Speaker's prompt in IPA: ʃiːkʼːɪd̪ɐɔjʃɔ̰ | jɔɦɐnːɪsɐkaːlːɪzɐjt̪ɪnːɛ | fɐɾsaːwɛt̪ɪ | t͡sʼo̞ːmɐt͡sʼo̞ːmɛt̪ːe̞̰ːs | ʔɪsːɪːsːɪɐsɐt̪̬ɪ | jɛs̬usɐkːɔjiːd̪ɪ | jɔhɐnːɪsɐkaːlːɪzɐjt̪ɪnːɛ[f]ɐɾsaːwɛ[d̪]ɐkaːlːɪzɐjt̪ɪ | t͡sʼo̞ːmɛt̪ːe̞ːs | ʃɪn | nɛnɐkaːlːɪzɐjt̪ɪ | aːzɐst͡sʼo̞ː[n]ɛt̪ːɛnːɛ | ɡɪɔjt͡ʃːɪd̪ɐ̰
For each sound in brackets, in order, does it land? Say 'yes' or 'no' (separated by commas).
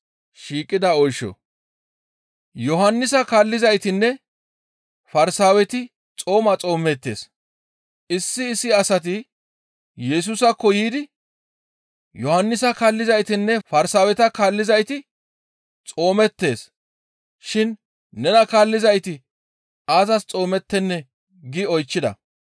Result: yes, no, no